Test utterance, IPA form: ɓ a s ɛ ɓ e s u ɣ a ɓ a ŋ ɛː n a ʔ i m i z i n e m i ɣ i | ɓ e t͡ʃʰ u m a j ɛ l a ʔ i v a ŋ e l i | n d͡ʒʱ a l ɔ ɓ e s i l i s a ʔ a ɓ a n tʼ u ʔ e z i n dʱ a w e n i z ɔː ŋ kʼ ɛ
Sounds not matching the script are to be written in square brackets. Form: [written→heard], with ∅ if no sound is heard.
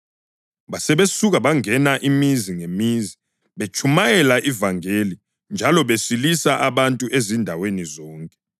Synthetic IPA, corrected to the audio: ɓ a s ɛ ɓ e s u ɣ a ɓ a ŋ [ɛː→ɛ] n a ʔ i m i z i [n→ŋ] e m i [ɣ→z] i | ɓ e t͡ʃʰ u m a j ɛ l a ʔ i v a ŋ e l i | n d͡ʒʱ a l ɔ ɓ e s i l i s a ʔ a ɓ a n tʼ u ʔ e z i n dʱ a w e n i z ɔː ŋ kʼ ɛ

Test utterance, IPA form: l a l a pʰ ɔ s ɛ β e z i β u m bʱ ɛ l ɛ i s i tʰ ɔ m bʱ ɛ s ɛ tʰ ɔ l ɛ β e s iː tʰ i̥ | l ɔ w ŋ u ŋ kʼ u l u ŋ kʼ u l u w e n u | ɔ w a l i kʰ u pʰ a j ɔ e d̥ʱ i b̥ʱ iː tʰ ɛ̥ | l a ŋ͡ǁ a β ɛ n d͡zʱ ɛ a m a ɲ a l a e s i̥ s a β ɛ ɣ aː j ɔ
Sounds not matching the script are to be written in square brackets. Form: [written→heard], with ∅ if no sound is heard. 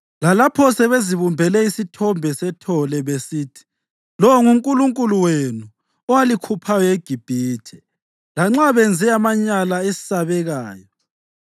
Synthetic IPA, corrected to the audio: l a l a pʰ ɔ s ɛ β e z i β u m bʱ ɛ l ɛ i s i tʰ ɔ m bʱ ɛ s ɛ tʰ ɔ l ɛ β e s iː tʰ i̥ | l ɔ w ŋ u ŋ kʼ u l u ŋ kʼ u l u w e n u | ɔ w a l i kʰ u pʰ a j ɔ e [d̥ʱ→ɡ̥ʱ] i b̥ʱ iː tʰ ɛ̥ | l a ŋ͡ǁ a β ɛ n d͡zʱ ɛ a m a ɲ a l a e s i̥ s a β ɛ ɣ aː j ɔ

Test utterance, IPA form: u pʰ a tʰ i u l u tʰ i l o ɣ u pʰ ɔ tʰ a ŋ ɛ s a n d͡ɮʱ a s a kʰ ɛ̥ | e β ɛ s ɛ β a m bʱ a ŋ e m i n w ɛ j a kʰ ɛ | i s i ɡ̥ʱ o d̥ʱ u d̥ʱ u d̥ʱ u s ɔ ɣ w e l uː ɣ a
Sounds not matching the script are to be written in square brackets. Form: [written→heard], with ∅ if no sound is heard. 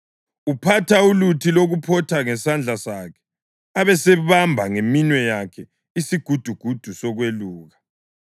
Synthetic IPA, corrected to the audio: u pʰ a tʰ [i→a] u l u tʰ i l o ɣ u pʰ ɔ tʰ a ŋ ɛ s a n d͡ɮʱ a s a kʰ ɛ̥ | [e→a] β ɛ s ɛ β a m bʱ a ŋ e m i n w ɛ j a kʰ ɛ | i s i ɡ̥ʱ [o→u] d̥ʱ u [d̥ʱ→ɡ̥ʱ] u d̥ʱ u s ɔ ɣ w e l uː ɣ a

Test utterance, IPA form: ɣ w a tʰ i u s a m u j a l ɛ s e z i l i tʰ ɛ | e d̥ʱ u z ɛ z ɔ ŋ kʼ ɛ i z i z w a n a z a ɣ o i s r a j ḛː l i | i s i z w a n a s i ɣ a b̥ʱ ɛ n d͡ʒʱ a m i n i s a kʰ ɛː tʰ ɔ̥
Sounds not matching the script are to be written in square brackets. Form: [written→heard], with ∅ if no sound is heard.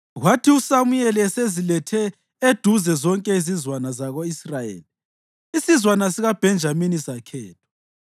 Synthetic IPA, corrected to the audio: ɣ w a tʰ i u s a m u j [a→ɛ] l ɛ s e z i l [i→ɛ] tʰ ɛ | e d̥ʱ u z ɛ z ɔ ŋ kʼ ɛ i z i z w a n a z a ɣ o i s r a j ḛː l i | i s i z w a n a s i ɣ a b̥ʱ ɛ n d͡ʒʱ a m i n i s a kʰ ɛː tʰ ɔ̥

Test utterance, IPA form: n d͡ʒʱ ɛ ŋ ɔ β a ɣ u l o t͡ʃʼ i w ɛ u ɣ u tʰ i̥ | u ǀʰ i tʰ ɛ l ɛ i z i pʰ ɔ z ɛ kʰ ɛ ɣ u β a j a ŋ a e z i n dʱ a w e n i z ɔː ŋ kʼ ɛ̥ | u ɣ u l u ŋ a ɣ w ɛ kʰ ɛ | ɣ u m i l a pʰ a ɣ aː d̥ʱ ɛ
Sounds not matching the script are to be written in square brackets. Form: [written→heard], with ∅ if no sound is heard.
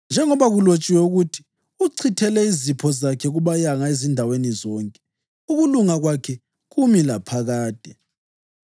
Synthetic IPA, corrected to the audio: n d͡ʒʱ ɛ ŋ ɔ β a ɣ u l o t͡ʃʼ i w ɛ u ɣ u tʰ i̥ | u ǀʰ i tʰ ɛ l ɛ i z i pʰ ɔ z [ɛ→a] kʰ ɛ ɣ u β a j a ŋ a e z i n dʱ a w e n i z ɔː ŋ kʼ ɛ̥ | u ɣ u l u ŋ a ɣ w [ɛ→a] kʰ ɛ | ɣ u m i l a pʰ a ɣ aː d̥ʱ ɛ

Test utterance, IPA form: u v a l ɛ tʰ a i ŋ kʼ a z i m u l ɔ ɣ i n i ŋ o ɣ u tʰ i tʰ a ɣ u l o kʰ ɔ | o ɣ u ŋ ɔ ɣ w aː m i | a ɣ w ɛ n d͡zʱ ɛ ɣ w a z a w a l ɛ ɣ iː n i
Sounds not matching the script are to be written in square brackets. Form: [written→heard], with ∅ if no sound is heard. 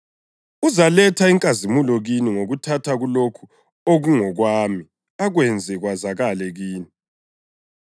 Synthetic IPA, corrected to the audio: u [v→z] a l ɛ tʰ a i ŋ kʼ a z i m u l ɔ ɣ i n i ŋ o ɣ u tʰ [i→a] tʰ a ɣ u l o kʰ [ɔ→u] | o ɣ u ŋ ɔ ɣ w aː m i | a ɣ w ɛ n d͡zʱ ɛ ɣ w a z a [w→ɣ] a l ɛ ɣ iː n i

